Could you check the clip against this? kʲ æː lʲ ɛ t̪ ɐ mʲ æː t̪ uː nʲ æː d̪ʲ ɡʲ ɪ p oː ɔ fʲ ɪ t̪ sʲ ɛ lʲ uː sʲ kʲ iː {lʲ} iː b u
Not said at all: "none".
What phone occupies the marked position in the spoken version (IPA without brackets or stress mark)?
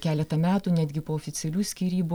ɾʲ